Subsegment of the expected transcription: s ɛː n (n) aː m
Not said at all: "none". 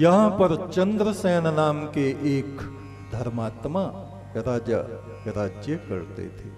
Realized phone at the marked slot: n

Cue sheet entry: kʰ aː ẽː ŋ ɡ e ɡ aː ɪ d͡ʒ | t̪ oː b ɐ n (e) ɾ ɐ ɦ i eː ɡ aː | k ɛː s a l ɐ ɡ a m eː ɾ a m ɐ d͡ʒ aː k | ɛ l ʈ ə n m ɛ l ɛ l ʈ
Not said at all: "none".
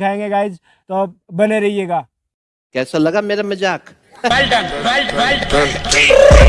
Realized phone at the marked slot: e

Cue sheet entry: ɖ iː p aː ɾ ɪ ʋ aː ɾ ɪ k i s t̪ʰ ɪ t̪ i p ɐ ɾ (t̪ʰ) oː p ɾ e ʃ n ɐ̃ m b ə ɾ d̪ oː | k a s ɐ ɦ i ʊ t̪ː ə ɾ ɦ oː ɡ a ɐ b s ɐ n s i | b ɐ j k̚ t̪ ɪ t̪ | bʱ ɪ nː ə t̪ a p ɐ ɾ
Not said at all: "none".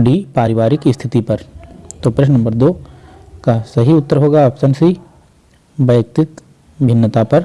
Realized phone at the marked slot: t̪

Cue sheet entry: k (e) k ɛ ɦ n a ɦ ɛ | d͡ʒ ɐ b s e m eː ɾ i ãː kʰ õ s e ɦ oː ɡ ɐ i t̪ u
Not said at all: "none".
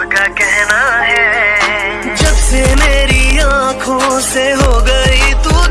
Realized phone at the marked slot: a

